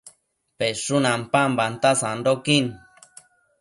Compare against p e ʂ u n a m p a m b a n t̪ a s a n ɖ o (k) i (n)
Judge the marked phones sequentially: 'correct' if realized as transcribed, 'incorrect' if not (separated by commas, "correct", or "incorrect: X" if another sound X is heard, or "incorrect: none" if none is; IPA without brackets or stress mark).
correct, correct